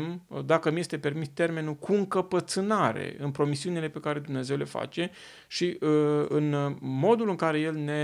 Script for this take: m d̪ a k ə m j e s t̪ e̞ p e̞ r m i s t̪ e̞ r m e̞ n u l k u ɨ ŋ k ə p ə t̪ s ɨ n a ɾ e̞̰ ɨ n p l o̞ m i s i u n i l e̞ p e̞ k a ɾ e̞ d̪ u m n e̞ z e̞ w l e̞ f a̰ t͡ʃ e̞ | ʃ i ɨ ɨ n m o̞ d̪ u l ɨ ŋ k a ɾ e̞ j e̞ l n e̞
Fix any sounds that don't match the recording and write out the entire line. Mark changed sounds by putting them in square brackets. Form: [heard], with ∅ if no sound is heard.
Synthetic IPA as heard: m d̪ a k ə m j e s t̪ e̞ p e̞ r m i s t̪ e̞ r m e̞ n u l k u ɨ ŋ k ə p ə t̪ s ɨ n a ɾ e̞̰ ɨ n p [ɾ] o̞ m i s i u n i l e̞ p e̞ k a ɾ e̞ d̪ u m n e̞ z e̞ w l e̞ f a̰ t͡ʃ e̞ | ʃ i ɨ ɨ n m o̞ d̪ u l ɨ ŋ k a ɾ e̞ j e̞ l n e̞